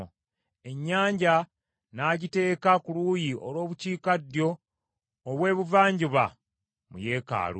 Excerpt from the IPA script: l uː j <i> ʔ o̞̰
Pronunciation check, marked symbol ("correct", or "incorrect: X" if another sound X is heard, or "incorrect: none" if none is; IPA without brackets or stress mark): correct